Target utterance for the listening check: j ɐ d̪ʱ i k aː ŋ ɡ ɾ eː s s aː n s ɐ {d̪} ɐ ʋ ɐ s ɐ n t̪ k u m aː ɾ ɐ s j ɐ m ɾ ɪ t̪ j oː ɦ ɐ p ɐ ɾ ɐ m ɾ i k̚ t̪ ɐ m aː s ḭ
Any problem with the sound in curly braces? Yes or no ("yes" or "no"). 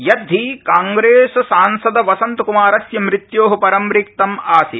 no